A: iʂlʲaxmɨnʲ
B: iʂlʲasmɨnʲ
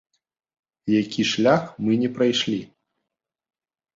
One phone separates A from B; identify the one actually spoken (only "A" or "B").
A